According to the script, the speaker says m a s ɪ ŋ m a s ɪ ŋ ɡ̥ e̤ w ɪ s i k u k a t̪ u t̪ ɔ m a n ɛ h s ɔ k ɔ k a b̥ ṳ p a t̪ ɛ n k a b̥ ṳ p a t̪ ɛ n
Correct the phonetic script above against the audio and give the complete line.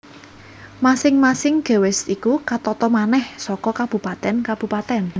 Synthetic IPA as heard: m a s ɪ ŋ m a s ɪ ŋ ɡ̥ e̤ w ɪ s i k u k a t̪ ɔ t̪ ɔ m a n ɛ h s ɔ k ɔ k a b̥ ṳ p a t̪ ɛ n k a b̥ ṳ p a t̪ ɛ n